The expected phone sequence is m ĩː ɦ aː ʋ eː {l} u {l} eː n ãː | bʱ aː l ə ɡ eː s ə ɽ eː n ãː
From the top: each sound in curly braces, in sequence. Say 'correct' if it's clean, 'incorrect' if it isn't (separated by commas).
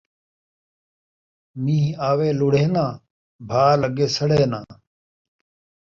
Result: correct, incorrect